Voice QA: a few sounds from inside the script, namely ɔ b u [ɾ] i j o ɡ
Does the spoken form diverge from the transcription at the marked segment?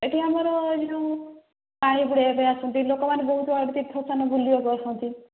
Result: yes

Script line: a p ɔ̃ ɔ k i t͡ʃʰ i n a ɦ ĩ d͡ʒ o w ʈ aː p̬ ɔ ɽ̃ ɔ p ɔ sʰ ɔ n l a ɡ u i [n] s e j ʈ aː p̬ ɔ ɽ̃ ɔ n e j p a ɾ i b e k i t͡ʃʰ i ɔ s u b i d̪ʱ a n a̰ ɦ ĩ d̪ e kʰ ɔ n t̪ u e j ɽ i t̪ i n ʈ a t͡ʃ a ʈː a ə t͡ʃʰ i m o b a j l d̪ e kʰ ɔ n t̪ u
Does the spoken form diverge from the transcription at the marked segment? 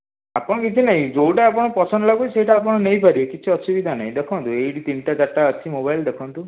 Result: yes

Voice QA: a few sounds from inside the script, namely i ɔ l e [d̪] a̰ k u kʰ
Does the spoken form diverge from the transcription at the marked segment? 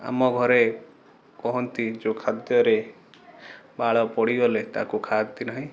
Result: yes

